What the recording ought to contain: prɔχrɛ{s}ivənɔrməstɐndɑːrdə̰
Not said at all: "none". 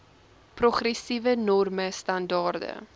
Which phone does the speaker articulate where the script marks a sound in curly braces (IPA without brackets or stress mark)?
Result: s